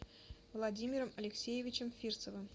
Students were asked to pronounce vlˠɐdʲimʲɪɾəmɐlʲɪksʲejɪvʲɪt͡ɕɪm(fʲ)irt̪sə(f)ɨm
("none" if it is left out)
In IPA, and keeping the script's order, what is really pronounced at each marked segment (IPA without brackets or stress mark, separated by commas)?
fʲ, v